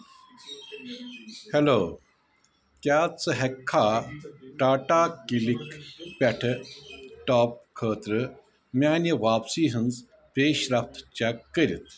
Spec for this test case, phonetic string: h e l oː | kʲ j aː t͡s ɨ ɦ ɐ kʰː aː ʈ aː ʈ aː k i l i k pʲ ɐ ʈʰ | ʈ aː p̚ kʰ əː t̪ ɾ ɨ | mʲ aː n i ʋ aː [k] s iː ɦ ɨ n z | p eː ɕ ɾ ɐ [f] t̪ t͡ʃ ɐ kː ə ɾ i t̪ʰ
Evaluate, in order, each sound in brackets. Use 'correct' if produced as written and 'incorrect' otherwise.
incorrect: p, correct

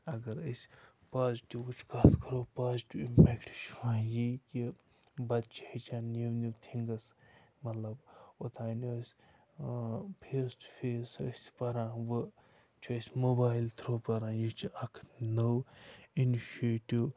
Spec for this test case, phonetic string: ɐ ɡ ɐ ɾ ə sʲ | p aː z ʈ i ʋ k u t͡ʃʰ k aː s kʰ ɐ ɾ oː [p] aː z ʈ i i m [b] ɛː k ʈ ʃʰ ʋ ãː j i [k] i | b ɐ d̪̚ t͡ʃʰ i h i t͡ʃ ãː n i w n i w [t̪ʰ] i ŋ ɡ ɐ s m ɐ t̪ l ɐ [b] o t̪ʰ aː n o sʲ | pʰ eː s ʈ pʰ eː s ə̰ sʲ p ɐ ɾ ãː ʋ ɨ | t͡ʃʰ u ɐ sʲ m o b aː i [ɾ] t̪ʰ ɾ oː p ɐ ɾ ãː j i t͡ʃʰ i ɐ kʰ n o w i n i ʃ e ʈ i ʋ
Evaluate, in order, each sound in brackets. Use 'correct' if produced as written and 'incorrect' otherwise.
correct, incorrect: p, correct, correct, correct, incorrect: l

